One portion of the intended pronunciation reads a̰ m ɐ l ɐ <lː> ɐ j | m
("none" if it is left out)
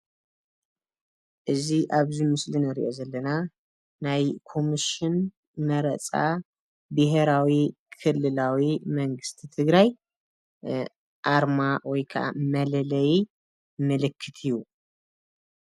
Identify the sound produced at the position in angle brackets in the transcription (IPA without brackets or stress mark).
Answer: l